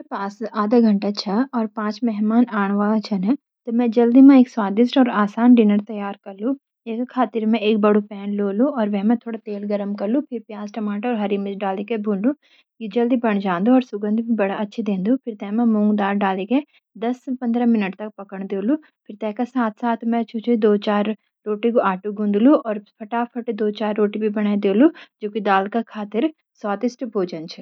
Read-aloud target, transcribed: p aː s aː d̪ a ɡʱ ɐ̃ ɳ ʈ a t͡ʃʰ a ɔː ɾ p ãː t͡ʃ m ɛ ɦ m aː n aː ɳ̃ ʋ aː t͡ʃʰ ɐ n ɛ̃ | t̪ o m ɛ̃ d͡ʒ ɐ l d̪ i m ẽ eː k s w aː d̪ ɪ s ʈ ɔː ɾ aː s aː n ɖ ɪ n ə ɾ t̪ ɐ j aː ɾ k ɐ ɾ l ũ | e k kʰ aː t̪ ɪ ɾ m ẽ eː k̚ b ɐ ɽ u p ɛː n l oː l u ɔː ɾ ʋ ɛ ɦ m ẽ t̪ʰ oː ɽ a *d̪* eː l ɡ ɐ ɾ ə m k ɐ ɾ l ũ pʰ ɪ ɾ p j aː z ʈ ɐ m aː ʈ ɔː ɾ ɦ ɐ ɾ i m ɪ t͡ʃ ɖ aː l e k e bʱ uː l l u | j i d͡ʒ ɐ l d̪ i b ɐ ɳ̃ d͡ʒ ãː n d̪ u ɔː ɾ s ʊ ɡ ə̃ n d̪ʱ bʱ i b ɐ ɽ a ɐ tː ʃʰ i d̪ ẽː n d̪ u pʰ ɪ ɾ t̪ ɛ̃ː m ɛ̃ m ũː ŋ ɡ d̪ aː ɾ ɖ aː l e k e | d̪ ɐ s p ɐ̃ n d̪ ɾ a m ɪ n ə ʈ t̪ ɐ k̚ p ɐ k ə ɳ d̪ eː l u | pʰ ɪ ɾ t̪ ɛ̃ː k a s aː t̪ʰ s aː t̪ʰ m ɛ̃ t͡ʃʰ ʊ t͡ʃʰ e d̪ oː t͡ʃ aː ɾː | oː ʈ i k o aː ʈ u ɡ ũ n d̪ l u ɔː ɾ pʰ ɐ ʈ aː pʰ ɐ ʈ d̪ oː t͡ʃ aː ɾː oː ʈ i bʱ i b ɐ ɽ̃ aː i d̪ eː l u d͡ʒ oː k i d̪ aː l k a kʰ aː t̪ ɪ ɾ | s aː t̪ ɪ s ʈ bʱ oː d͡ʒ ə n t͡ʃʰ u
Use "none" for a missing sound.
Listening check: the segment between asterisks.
t̪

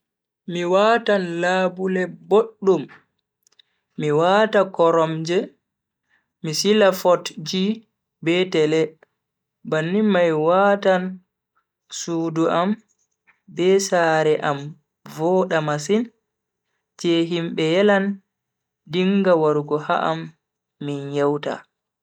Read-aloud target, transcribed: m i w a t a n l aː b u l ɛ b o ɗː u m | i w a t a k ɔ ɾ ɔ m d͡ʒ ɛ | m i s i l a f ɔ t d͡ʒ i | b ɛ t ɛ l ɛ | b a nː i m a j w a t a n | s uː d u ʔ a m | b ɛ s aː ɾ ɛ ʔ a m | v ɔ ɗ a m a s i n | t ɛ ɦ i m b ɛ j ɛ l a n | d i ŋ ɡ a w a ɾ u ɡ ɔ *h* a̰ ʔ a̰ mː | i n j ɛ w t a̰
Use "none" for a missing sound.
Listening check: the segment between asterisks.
h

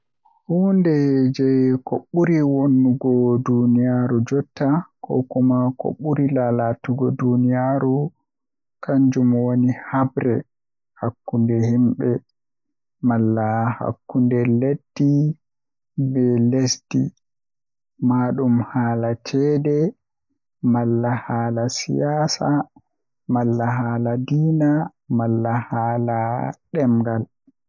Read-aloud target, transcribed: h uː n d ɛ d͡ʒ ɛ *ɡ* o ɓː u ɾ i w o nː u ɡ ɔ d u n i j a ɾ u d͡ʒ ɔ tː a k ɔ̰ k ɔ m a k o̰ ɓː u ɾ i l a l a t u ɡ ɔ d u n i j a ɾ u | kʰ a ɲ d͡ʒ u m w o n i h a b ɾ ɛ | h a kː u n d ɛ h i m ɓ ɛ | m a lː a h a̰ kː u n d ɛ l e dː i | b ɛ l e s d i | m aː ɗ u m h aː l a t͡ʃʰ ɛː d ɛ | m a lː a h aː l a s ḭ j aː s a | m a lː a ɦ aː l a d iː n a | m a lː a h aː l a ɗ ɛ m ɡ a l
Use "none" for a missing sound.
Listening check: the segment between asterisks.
k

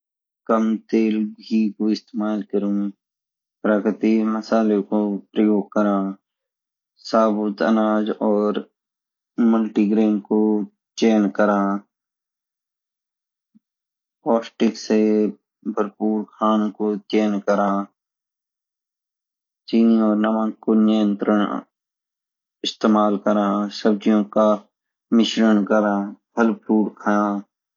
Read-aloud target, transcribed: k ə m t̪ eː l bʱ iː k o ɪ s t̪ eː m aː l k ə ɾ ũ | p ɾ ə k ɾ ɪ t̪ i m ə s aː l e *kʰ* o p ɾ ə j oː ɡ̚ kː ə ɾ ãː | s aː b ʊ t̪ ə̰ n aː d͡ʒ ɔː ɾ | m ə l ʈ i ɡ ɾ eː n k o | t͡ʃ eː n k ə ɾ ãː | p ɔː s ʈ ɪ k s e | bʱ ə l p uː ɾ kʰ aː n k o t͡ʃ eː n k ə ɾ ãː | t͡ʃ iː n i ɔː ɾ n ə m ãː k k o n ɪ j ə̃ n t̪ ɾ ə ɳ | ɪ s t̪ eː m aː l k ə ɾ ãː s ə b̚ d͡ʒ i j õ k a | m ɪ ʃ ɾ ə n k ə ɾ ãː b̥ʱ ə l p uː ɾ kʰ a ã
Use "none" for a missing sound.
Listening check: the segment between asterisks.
k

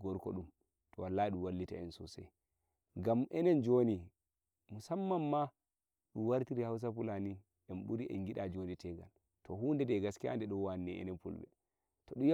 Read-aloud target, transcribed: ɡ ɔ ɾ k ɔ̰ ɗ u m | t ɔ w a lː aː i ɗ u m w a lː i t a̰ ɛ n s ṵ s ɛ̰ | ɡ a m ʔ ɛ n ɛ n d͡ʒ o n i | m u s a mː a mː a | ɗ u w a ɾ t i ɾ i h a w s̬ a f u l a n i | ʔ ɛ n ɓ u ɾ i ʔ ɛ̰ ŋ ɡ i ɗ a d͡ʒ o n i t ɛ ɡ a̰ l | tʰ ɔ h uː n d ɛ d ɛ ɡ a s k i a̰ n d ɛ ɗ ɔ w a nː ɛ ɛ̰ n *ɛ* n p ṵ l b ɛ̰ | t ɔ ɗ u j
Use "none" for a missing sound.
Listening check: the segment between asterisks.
ɛ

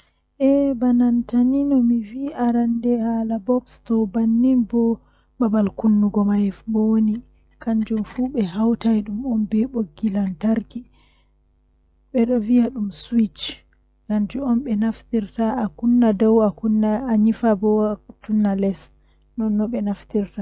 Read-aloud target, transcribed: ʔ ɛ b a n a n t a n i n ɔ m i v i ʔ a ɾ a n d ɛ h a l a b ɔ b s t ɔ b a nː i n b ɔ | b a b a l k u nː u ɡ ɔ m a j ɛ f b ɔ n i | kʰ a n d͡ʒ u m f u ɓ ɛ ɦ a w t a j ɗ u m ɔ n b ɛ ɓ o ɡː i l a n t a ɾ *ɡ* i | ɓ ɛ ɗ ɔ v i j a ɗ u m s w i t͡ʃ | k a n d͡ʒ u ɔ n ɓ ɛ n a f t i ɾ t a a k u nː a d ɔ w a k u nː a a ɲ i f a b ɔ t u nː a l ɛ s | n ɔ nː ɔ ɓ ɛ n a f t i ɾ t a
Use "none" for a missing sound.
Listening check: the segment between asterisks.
k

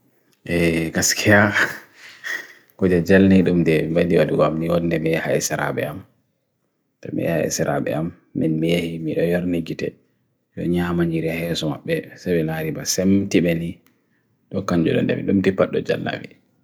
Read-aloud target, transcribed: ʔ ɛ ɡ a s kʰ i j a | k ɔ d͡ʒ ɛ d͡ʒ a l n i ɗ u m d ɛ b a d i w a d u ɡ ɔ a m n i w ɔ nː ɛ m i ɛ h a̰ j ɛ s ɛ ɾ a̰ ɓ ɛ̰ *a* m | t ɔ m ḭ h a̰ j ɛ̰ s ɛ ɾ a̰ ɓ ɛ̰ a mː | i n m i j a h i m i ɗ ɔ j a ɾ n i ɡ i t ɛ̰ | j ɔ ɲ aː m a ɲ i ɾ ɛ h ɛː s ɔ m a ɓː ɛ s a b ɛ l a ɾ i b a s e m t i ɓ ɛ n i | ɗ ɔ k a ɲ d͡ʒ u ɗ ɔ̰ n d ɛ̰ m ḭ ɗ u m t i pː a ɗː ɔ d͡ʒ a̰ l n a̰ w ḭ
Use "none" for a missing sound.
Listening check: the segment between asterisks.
a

